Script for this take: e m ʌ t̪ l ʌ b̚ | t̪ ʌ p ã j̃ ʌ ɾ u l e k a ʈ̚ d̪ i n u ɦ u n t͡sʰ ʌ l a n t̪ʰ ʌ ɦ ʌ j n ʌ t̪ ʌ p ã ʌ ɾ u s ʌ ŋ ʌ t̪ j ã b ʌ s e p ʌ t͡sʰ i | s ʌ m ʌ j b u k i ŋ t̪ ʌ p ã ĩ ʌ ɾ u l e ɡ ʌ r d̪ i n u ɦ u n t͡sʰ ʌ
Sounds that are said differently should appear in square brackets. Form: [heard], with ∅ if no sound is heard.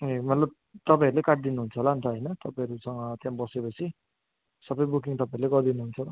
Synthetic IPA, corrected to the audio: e m ʌ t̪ l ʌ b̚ | t̪ ʌ p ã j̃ ʌ ɾ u l e k a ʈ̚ d̪ i n u ɦ u n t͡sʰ ʌ l a n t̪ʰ ʌ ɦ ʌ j n ʌ t̪ ʌ p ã ʌ ɾ u s ʌ ŋ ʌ t̪ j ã b ʌ s e p ʌ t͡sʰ i | s ʌ [b] ʌ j b u k i ŋ t̪ ʌ p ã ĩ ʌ ɾ u l e ɡ ʌ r d̪ i n u ɦ u n t͡sʰ ʌ